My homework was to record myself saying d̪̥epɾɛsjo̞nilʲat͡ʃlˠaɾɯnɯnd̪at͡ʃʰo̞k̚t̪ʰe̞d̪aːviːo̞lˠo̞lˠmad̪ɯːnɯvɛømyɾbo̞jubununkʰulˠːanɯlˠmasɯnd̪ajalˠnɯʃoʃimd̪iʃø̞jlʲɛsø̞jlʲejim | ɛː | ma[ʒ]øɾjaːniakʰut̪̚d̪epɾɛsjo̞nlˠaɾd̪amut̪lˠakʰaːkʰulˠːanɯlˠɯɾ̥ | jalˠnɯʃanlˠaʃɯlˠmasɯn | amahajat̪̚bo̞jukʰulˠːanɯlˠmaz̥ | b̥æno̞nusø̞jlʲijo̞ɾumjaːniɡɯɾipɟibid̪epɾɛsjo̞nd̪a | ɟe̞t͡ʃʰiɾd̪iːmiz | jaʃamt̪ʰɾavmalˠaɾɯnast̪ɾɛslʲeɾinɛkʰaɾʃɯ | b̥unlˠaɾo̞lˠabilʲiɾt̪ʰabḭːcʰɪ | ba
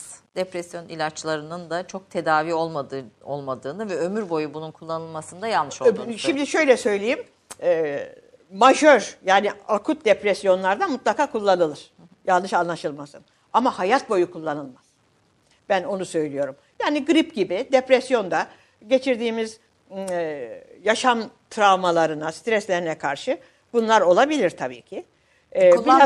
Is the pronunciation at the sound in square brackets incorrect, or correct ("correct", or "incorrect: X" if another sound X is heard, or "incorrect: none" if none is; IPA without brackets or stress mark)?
correct